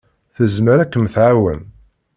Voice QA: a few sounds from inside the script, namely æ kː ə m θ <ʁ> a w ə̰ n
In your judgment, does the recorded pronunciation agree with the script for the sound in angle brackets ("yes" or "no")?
no